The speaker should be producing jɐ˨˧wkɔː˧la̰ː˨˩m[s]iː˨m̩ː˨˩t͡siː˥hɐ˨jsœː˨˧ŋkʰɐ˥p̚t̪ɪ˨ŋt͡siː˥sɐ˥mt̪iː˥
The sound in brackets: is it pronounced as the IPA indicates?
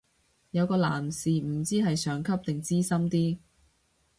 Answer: yes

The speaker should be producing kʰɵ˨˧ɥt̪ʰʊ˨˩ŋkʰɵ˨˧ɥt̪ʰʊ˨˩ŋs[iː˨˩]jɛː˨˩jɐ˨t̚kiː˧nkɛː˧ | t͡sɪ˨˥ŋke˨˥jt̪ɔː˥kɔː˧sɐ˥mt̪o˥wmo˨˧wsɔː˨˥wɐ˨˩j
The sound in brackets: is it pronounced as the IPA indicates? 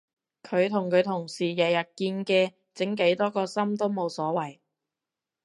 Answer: yes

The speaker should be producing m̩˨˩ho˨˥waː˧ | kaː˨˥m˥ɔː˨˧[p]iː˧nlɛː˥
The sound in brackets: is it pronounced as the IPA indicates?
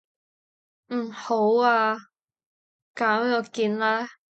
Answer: no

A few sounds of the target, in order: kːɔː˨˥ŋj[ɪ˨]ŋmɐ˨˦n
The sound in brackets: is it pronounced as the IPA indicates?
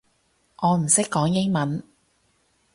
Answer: no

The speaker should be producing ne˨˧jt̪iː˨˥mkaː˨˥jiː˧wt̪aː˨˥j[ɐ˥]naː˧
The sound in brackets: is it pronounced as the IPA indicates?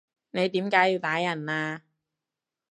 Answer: no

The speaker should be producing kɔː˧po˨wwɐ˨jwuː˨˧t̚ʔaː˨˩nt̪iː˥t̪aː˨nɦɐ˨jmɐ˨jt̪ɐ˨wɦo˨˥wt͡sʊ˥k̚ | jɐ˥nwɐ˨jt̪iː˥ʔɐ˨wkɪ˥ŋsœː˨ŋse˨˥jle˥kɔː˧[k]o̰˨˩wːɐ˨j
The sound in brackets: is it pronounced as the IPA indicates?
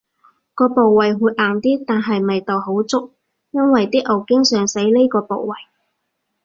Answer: no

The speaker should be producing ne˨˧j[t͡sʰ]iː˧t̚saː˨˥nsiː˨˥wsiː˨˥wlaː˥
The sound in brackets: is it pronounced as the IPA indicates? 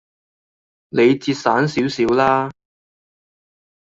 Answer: no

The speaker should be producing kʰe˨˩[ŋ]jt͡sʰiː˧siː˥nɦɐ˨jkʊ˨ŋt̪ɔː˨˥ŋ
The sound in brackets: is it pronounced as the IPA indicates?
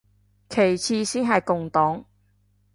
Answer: no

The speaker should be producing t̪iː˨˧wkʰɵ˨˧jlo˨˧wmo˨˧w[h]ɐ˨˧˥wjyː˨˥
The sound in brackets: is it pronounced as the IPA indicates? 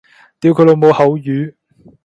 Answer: yes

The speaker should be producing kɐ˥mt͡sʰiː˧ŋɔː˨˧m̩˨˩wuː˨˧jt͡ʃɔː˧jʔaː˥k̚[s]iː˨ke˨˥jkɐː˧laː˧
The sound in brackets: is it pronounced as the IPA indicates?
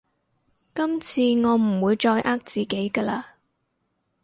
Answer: no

